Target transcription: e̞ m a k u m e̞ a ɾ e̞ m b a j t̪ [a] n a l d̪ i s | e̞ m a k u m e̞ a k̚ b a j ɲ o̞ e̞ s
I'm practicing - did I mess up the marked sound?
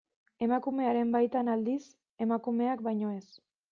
no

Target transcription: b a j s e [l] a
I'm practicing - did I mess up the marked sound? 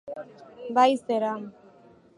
yes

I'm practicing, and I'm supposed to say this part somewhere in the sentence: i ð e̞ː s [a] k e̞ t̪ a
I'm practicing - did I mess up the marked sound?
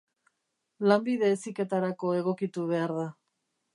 yes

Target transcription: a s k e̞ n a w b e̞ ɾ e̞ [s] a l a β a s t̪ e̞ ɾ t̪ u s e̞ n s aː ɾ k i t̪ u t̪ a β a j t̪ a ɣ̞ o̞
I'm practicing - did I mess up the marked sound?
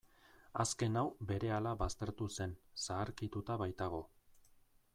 yes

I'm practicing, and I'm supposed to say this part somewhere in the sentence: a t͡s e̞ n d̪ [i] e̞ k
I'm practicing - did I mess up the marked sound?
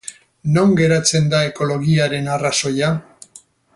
yes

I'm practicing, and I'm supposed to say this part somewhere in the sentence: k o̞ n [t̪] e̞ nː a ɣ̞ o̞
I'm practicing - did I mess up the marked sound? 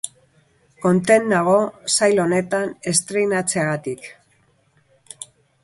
no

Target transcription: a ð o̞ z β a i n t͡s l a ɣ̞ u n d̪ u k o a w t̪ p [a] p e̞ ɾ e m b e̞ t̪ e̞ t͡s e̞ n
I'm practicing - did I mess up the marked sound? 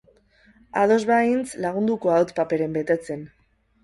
no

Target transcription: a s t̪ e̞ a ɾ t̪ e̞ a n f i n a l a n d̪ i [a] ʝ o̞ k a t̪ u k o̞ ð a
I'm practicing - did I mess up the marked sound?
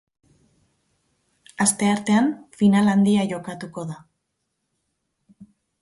no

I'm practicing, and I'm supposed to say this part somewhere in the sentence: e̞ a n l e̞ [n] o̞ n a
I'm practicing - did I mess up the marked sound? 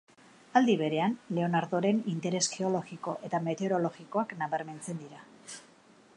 yes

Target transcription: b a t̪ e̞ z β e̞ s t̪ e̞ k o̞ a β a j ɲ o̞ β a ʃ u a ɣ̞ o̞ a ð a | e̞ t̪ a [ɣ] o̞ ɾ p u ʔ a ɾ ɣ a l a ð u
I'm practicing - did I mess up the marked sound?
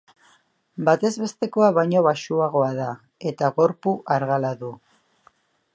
no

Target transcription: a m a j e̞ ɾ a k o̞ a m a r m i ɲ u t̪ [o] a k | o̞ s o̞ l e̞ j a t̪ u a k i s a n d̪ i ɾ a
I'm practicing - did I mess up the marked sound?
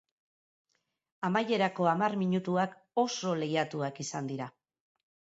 yes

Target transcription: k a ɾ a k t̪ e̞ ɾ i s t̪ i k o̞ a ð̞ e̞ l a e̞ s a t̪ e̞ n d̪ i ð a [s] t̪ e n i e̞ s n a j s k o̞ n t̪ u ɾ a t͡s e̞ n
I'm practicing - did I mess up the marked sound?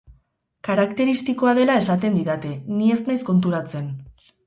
yes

